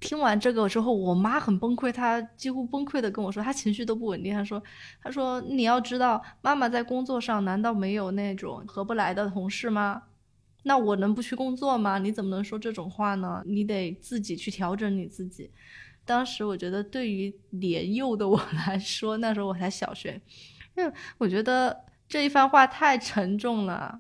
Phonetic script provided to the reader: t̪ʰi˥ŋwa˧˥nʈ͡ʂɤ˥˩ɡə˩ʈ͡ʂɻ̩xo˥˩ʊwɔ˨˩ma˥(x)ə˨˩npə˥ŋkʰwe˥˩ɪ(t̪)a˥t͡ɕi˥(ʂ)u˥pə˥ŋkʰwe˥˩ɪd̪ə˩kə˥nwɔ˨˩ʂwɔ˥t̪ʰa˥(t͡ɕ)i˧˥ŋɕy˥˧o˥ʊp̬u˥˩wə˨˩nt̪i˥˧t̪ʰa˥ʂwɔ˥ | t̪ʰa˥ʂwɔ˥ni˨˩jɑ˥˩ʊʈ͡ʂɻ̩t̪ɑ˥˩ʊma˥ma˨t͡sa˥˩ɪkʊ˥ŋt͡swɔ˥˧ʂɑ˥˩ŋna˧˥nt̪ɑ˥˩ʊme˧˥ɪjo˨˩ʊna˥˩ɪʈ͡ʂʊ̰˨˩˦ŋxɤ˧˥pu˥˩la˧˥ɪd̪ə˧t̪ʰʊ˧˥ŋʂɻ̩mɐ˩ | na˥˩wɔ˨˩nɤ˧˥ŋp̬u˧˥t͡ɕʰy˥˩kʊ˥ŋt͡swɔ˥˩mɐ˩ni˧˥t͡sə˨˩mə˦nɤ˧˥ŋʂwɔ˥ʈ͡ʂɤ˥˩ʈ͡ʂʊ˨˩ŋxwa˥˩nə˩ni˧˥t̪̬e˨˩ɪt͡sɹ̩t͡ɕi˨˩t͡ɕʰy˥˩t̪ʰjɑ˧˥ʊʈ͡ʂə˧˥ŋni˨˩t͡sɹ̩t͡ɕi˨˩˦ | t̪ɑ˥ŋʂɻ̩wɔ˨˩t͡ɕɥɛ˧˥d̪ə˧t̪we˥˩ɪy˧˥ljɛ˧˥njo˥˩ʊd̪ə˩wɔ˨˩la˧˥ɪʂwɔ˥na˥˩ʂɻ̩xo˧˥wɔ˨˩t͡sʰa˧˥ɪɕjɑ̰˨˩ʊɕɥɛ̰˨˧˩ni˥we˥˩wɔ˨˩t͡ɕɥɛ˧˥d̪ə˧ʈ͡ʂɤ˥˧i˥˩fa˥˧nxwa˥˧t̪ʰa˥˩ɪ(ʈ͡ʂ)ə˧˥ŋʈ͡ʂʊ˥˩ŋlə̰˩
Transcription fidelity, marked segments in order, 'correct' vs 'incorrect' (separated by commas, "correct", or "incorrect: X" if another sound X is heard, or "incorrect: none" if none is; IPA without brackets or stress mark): correct, incorrect: t̪ʰ, incorrect: x, incorrect: t͡ɕʰ, incorrect: ʈ͡ʂʰ